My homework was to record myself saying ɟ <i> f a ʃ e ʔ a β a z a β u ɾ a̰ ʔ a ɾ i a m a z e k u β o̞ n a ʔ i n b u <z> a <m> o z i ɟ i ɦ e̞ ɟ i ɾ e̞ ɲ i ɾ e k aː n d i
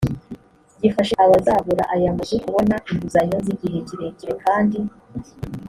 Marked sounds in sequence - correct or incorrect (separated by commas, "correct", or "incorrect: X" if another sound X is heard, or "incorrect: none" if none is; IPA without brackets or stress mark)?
correct, correct, incorrect: ɲ